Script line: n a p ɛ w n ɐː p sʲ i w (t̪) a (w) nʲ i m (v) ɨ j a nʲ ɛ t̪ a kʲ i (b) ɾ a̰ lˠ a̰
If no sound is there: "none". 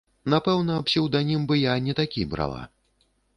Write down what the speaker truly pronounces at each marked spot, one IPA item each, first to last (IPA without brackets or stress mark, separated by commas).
d̪, none, b, b